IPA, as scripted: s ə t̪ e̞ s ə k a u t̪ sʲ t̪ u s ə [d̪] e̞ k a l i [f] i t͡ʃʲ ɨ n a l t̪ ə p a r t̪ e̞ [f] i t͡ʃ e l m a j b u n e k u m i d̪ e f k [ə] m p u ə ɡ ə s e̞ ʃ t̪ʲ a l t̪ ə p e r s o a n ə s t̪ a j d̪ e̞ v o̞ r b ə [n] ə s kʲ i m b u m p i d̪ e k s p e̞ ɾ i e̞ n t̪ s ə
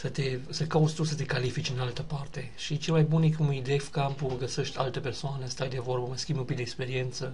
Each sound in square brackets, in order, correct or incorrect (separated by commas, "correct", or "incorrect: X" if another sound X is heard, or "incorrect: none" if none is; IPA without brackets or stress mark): incorrect: t̪, correct, incorrect: ʃ, incorrect: a, incorrect: m